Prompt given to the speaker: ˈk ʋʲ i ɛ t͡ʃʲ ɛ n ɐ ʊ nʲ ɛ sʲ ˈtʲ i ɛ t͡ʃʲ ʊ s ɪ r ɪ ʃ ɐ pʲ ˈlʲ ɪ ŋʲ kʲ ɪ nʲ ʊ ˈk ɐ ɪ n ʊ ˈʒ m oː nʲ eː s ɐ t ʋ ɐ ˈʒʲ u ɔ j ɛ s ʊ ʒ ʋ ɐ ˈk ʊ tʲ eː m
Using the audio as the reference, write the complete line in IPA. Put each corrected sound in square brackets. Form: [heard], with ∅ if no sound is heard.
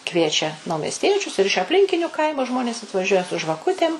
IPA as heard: ˈk ʋʲ i ɛ t͡ʃʲ ɛ n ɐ ʊ [mʲ] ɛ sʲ ˈtʲ i ɛ t͡ʃʲ ʊ s ɪ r ɪ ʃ ɐ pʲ ˈlʲ ɪ ŋʲ kʲ ɪ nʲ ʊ ˈk ɐ ɪ [m] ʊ ˈʒ m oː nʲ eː s ɐ t ʋ ɐ ˈʒʲ u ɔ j ɛ s ʊ ʒ ʋ ɐ ˈk ʊ tʲ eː m